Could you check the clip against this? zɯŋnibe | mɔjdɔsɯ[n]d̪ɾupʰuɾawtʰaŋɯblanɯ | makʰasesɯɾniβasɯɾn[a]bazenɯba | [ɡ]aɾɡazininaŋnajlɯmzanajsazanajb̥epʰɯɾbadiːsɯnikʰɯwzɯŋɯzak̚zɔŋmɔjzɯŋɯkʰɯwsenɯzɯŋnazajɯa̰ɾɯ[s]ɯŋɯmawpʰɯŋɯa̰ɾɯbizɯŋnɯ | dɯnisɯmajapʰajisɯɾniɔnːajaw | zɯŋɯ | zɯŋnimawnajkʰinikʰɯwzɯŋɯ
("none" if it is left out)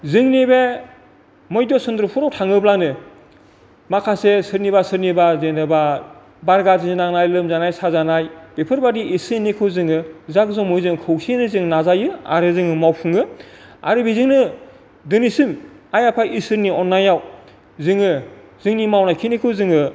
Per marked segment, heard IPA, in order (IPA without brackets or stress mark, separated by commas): n, i, b, z